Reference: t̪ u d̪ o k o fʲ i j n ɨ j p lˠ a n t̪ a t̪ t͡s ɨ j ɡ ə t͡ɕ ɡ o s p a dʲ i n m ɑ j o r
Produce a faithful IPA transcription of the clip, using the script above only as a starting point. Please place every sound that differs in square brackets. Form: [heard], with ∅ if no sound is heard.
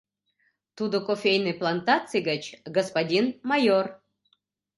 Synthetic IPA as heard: t̪ u d̪ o k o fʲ [e] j n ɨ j p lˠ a n t̪ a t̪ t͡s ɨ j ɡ ə t͡ɕ ɡ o s p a dʲ i n m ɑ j o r